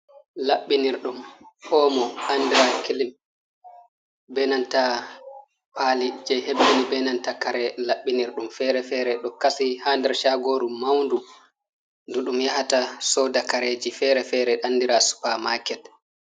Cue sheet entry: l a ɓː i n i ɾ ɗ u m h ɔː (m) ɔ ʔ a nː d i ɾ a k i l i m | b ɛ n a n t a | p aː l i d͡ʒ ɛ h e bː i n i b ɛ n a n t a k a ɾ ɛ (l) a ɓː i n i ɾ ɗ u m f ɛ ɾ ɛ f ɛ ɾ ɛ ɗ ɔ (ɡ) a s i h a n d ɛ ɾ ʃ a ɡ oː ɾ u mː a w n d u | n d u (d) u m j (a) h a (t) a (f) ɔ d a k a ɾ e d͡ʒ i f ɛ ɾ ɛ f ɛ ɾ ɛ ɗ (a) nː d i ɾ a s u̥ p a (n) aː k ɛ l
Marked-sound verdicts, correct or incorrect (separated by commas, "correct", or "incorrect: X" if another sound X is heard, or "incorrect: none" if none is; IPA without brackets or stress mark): correct, correct, incorrect: k, incorrect: ɗ, correct, correct, incorrect: s, correct, incorrect: m